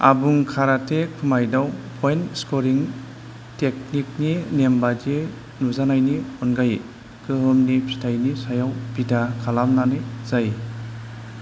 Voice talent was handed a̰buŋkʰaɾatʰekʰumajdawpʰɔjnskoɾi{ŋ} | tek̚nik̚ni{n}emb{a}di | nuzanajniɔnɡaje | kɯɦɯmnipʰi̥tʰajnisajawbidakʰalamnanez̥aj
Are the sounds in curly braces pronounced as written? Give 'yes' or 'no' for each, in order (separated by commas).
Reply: yes, yes, yes